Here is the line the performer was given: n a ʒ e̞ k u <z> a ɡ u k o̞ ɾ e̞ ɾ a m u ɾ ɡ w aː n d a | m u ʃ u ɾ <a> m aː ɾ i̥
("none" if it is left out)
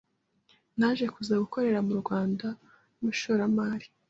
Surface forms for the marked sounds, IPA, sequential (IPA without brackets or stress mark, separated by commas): z, a